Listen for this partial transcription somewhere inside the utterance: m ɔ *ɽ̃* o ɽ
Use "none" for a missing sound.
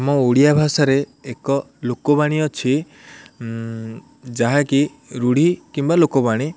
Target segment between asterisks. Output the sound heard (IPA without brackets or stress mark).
none